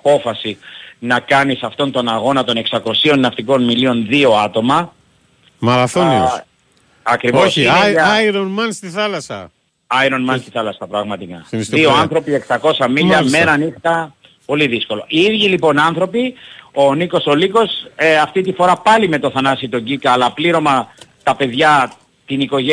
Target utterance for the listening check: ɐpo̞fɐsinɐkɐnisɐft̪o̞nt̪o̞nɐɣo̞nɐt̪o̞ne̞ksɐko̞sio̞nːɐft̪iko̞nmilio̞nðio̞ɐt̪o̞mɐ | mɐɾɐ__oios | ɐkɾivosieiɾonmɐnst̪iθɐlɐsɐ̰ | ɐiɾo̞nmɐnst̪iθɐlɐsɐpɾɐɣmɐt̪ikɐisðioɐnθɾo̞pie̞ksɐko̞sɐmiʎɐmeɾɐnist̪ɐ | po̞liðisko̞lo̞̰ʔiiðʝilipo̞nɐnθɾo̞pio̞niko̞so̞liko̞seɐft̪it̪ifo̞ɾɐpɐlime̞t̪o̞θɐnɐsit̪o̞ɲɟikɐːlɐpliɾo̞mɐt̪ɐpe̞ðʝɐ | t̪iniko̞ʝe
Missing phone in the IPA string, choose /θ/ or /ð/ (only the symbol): θ